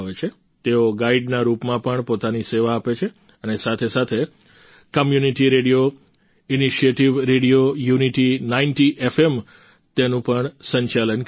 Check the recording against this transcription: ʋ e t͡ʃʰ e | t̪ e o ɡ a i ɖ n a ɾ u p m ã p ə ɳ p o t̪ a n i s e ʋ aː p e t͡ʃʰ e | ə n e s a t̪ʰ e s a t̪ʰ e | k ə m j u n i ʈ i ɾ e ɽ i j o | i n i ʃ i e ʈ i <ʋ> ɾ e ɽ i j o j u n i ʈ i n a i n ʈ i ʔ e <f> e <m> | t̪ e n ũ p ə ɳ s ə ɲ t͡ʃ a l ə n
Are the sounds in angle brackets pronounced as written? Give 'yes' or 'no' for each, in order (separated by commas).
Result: yes, yes, yes